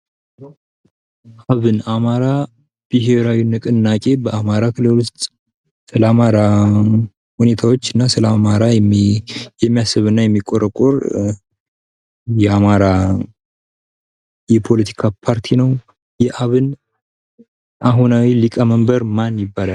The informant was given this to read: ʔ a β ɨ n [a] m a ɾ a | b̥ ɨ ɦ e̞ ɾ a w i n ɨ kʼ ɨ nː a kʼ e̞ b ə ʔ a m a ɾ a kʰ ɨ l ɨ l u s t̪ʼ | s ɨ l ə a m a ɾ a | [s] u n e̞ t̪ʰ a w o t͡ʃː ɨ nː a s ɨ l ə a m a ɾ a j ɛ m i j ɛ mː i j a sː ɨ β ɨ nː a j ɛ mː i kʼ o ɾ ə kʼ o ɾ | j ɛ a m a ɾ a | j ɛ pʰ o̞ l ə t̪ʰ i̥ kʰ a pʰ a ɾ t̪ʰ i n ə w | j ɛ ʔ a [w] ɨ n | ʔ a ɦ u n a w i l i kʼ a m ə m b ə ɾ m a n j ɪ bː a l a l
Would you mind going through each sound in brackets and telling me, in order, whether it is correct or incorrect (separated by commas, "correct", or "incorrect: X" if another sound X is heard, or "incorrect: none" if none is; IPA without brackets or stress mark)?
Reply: correct, incorrect: h, incorrect: β